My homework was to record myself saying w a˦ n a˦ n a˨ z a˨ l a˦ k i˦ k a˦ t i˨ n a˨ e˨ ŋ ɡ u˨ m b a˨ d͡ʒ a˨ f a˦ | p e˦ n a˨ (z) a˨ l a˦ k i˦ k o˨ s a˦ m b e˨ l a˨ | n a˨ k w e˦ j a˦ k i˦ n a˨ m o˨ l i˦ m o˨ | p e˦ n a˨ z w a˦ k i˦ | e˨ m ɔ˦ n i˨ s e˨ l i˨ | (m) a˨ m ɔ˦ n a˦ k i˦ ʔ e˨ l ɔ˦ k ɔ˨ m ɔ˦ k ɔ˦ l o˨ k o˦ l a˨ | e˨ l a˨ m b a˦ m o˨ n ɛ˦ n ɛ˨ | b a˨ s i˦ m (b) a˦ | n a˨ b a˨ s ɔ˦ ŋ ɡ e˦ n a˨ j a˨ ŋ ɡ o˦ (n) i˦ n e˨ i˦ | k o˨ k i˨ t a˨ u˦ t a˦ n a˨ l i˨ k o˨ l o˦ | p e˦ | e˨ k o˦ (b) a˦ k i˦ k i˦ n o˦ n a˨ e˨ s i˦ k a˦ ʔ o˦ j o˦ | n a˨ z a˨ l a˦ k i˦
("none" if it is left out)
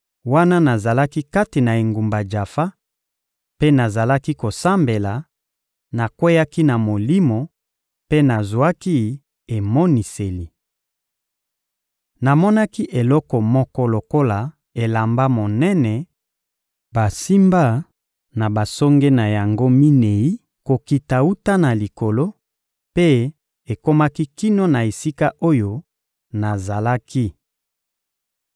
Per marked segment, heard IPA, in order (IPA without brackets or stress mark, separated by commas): z, n, b, m, m